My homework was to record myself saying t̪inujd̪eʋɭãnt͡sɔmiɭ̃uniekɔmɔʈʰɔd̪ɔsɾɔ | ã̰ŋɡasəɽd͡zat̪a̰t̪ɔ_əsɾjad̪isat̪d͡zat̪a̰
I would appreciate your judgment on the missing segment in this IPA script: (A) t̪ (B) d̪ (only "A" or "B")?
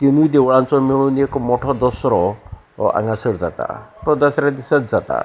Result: B